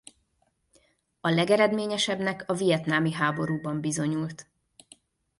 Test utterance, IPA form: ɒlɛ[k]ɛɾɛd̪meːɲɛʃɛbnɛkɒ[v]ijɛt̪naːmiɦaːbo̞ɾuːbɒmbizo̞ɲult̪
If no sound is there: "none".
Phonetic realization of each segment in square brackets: ɡ, v

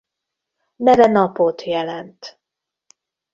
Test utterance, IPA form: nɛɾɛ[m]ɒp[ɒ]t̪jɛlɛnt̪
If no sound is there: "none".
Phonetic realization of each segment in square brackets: n, o

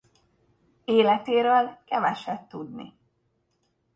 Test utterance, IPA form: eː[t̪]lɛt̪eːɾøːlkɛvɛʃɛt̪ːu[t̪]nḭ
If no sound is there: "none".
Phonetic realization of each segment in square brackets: none, d̪

